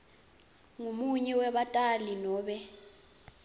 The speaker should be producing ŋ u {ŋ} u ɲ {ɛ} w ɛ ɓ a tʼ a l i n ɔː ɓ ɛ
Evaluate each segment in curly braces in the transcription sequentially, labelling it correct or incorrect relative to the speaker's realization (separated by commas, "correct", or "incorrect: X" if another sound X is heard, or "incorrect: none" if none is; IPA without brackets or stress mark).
incorrect: m, correct